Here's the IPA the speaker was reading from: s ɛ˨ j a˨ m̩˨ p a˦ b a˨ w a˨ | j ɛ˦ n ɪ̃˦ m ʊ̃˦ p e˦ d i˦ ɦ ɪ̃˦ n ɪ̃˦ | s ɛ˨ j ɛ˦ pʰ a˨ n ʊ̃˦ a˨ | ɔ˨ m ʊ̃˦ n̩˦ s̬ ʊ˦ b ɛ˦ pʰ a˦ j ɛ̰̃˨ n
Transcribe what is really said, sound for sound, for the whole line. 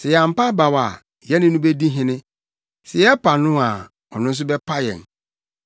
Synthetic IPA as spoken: s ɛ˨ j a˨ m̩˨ p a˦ b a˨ w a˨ | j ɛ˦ n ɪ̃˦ n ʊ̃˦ b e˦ d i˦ ɦ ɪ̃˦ n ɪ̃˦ | s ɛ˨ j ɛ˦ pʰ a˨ n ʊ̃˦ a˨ | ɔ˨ n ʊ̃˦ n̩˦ s̬ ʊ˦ b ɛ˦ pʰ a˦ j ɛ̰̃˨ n